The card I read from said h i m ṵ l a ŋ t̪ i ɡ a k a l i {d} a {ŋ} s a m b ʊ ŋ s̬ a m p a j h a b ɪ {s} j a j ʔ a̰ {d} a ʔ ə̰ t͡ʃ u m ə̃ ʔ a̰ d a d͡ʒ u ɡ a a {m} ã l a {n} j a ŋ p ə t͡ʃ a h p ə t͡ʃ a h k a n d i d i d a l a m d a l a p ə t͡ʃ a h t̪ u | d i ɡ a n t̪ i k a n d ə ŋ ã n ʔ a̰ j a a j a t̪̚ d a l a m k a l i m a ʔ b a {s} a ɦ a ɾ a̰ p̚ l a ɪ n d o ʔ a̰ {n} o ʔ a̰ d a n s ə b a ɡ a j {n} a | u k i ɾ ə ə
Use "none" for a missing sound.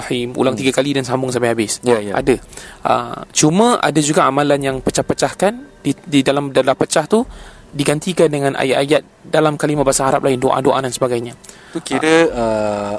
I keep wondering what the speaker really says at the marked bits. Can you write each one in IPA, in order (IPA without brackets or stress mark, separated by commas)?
d, n, s, d, m, n, s, d, ɲ